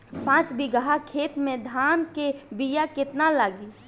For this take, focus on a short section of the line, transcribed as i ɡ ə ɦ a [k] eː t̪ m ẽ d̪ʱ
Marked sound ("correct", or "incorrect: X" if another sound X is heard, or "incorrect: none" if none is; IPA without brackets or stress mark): incorrect: kʰ